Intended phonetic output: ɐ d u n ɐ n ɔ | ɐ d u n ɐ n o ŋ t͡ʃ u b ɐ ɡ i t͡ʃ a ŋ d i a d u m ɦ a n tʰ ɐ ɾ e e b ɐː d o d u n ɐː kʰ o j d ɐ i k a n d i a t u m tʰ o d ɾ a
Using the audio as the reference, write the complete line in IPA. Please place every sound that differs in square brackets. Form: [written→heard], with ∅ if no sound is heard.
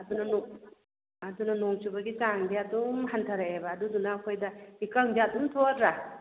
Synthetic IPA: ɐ d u n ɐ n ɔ | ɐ d u n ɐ n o ŋ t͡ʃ u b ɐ ɡ i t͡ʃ a ŋ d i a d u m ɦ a n tʰ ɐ ɾ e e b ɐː d [o→u] d u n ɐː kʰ o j d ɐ i k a [n→ŋ] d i a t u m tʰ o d ɾ a